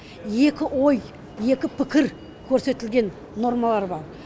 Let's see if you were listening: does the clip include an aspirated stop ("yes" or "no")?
yes